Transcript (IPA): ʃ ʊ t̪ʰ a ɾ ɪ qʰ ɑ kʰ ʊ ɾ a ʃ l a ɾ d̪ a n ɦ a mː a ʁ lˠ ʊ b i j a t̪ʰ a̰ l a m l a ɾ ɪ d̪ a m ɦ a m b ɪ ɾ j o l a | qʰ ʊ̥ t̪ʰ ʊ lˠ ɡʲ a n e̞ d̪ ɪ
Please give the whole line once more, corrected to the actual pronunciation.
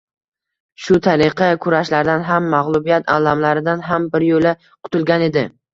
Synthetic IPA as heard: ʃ ʊ t̪ʰ a ɾ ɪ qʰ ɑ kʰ ʊ ɾ a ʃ l a ɾ d̪ a n ɦ a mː a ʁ lˠ ʊ b i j a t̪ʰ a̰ l a m l a ɾ ɪ d̪ a n ɦ a m b ɪ ɾ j o l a | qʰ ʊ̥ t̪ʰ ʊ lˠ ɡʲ a n e̞ d̪ ɪ